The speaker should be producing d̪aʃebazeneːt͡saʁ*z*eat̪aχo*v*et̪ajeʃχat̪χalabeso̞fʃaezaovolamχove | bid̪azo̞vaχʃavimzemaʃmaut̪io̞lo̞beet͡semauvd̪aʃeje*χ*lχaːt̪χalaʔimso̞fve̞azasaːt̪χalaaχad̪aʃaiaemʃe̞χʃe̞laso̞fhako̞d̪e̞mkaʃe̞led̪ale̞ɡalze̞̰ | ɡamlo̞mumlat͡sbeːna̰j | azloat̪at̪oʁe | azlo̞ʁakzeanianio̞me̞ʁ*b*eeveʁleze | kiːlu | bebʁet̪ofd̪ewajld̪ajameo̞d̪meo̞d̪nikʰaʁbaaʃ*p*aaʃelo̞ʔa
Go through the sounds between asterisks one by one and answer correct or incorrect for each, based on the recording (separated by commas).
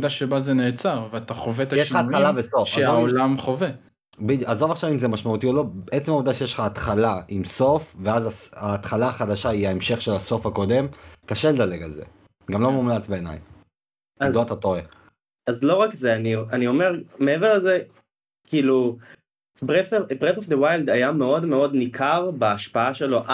incorrect, correct, incorrect, incorrect, correct